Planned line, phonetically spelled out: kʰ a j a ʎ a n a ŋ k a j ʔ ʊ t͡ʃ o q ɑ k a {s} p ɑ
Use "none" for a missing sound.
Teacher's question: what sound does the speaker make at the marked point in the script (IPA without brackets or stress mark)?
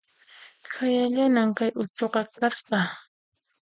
s